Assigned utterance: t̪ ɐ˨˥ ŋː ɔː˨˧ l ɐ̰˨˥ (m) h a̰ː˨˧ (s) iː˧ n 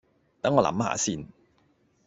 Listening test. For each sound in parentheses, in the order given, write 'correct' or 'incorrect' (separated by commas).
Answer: correct, correct